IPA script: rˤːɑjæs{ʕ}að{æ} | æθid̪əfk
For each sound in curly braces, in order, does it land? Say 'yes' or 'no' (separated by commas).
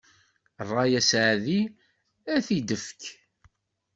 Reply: yes, no